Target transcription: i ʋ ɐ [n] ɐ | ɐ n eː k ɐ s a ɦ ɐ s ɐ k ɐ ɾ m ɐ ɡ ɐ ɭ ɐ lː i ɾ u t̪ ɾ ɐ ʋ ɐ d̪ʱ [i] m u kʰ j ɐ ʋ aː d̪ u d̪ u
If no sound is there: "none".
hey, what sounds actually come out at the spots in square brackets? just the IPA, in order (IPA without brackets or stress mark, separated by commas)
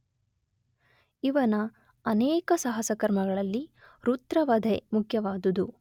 n, e